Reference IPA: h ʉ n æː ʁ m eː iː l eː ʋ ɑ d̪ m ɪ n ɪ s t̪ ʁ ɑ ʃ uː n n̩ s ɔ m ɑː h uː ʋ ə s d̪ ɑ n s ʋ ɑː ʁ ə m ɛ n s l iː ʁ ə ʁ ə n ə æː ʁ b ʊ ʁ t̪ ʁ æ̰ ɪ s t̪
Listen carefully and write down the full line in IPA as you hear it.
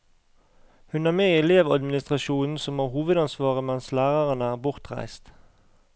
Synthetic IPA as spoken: h ʉ n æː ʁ m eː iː l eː ʋ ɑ d̪ m ɪ n ɪ s t̪ ʁ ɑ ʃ uː n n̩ s ɔ m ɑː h uː ʋ ə d̪ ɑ n s ʋ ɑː ʁ ə m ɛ n s l æː ʁ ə ʁ ə n ə æː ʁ b ʊ ʁ t̪ ʁ æ̰ ɪ s t̪